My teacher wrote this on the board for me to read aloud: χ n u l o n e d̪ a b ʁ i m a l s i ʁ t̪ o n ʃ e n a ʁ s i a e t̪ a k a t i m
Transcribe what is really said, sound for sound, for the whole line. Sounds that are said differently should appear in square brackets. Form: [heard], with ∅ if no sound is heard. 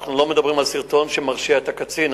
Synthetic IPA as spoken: χ n u l o [m] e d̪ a b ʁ i m a l s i ʁ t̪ o n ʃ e [m] a ʁ [ʃ] i a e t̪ a k a [t͡s] i [n]